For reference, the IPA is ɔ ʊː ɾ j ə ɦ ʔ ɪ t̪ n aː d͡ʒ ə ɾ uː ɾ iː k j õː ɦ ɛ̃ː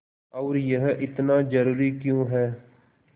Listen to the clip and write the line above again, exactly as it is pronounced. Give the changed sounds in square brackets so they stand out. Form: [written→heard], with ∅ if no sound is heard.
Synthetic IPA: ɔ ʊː ɾ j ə ɦ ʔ ɪ t̪ n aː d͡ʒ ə ɾ uː ɾ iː k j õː ɦ [ɛ̃ː→ɛː]